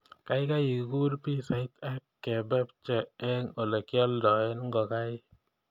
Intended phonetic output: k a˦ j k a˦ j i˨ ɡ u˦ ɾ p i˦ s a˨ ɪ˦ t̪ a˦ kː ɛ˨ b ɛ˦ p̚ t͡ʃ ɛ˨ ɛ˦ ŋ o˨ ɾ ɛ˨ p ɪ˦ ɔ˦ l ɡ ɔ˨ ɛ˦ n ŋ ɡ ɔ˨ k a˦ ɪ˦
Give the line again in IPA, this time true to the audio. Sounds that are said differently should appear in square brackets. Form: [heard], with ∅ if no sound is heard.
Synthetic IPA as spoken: k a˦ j k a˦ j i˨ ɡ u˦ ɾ p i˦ s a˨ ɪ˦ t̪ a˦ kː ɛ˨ b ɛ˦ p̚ t͡ʃ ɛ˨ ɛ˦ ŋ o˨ [l] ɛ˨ [k] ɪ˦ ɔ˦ l [d] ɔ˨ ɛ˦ n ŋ ɡ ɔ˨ k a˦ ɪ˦